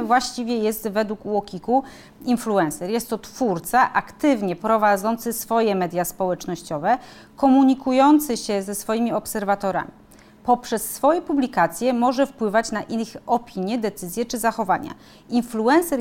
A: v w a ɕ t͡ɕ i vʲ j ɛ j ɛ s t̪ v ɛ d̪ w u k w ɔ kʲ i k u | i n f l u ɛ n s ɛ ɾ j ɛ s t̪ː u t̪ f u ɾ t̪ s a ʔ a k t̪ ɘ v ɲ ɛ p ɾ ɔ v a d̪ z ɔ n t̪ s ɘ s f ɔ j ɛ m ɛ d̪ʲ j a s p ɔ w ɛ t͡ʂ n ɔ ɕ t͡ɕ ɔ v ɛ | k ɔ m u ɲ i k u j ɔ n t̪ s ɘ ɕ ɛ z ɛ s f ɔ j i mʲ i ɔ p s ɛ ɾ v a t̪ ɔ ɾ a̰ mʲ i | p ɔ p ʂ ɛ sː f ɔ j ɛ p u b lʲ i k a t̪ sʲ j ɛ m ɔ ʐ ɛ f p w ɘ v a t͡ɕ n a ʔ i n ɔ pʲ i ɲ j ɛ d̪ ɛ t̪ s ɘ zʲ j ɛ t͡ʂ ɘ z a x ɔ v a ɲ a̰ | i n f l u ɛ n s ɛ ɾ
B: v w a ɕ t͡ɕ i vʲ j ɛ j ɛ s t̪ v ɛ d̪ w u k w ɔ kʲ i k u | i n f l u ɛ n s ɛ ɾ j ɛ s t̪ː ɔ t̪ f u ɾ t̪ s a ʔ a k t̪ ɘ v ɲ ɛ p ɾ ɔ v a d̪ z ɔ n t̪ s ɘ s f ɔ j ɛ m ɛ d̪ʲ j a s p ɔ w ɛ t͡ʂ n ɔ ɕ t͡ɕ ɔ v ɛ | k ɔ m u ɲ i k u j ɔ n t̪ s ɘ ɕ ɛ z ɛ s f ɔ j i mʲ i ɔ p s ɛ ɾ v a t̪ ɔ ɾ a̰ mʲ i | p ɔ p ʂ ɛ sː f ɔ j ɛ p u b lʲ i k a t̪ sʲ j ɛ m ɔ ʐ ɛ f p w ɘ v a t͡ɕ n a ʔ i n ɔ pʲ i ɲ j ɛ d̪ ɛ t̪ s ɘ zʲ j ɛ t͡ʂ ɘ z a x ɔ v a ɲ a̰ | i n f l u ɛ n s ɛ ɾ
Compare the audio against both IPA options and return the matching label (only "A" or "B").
B